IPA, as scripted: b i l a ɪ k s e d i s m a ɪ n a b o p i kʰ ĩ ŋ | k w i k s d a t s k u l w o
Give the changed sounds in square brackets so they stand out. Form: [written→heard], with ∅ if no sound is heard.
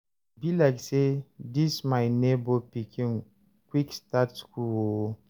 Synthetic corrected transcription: b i l a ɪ k s e d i s m a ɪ n [a→e] b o p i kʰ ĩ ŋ | k w i k s [d→t] a t s k u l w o